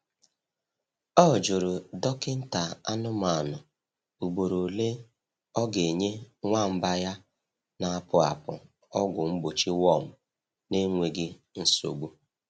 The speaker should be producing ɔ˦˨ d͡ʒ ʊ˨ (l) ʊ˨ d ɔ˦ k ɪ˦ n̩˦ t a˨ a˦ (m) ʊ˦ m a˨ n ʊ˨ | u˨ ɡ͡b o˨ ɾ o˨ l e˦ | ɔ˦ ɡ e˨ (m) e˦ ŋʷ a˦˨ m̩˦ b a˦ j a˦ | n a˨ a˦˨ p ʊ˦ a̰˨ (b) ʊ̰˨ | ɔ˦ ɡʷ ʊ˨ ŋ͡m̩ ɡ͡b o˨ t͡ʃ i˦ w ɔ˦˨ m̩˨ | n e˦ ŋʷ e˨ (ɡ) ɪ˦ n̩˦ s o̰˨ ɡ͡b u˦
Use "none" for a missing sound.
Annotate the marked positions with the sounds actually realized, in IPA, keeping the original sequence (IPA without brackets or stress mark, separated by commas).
ɾ, n, ɲ, p, ɡ